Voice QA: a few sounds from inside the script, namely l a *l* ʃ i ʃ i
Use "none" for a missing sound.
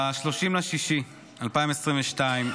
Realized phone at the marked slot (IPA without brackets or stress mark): none